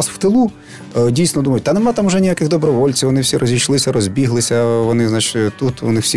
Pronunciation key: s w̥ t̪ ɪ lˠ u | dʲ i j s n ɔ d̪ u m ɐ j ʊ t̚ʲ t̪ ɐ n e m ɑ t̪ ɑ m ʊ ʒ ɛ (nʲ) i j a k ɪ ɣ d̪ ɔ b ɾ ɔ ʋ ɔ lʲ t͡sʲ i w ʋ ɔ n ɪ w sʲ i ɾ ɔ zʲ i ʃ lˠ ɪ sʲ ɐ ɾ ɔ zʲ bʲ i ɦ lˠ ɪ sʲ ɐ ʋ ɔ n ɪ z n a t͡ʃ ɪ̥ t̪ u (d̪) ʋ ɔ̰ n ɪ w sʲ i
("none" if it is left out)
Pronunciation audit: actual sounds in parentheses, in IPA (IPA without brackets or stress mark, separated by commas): nʲ, t̪